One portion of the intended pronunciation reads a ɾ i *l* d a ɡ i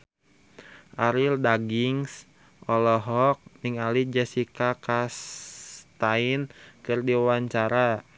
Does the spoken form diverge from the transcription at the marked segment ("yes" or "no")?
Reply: no